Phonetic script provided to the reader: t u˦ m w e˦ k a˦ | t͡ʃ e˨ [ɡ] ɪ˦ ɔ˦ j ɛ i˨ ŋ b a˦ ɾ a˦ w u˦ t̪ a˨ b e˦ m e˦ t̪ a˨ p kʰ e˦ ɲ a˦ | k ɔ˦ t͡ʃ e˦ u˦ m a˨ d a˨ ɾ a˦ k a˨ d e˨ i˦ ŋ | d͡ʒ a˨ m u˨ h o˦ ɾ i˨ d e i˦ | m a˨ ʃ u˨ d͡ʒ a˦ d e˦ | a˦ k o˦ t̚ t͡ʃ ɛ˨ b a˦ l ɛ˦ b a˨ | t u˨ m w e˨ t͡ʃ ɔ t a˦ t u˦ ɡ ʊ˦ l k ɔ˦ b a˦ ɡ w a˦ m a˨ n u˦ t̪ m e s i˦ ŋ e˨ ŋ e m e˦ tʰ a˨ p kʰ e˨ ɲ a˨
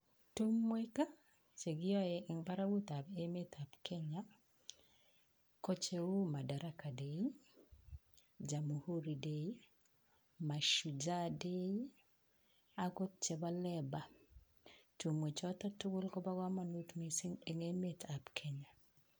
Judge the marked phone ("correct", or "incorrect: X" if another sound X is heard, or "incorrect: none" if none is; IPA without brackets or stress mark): correct